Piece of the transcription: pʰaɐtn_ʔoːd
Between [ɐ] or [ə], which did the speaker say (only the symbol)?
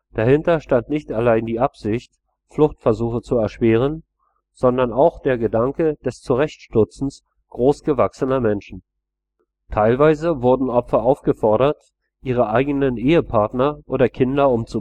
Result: ɐ